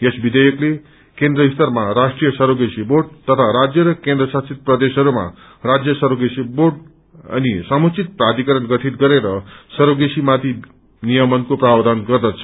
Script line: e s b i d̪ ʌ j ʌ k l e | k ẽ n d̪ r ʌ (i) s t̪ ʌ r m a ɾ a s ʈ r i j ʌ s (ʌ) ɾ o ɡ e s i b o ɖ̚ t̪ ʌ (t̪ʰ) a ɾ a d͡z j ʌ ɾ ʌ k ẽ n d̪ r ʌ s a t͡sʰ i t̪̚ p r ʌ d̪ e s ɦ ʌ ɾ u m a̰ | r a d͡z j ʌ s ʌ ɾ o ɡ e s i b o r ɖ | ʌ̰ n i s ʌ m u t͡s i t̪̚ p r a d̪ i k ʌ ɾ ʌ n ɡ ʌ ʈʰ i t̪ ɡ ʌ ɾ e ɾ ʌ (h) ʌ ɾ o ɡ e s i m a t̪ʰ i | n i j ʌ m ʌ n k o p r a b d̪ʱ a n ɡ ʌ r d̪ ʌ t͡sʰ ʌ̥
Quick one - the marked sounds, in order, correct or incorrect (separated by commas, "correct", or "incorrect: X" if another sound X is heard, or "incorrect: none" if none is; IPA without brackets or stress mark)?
correct, correct, correct, incorrect: s